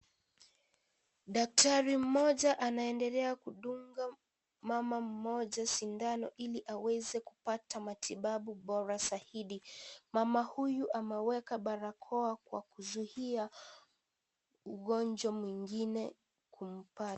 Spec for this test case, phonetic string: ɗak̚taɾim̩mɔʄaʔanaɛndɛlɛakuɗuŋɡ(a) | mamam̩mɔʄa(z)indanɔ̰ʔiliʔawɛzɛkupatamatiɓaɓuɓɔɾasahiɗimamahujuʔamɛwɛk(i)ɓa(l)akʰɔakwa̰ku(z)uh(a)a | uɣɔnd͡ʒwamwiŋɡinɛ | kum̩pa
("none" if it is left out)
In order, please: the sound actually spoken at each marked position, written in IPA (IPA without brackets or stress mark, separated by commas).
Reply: a, s, a, ɾ, z, i